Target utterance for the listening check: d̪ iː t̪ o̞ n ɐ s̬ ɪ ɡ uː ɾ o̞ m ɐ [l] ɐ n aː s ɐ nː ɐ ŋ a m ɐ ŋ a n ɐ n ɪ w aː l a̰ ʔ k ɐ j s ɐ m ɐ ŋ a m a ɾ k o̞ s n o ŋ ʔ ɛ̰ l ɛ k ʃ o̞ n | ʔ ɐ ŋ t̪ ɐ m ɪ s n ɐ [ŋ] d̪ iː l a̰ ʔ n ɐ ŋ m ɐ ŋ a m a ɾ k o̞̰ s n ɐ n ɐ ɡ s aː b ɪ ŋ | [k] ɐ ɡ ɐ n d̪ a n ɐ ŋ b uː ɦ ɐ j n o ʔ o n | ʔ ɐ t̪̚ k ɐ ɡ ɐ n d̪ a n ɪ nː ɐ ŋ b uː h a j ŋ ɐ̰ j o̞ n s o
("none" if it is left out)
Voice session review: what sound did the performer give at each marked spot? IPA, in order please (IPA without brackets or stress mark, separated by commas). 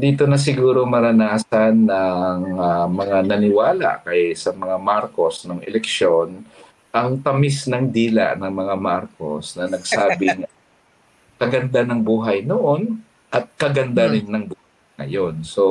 ɾ, ŋ, k